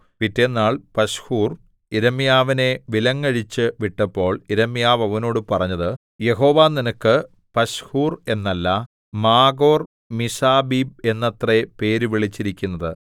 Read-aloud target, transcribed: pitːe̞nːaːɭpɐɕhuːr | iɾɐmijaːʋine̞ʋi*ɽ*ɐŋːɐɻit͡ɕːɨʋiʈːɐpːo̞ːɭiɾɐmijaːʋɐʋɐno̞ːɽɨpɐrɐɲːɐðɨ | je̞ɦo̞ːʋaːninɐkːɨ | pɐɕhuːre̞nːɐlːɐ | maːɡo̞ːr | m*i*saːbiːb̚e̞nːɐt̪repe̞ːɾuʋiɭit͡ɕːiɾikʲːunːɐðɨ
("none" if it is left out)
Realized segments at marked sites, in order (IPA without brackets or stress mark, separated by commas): l, i